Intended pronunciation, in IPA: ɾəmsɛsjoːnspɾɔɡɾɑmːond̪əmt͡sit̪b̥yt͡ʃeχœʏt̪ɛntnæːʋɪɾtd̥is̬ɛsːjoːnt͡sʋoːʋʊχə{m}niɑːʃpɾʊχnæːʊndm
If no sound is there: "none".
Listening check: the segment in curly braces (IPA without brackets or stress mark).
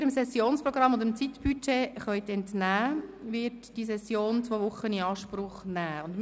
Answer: none